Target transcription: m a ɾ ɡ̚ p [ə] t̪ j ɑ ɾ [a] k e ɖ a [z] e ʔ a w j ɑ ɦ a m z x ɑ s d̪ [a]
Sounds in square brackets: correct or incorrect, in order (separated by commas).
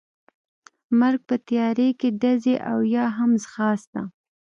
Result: correct, incorrect, correct, correct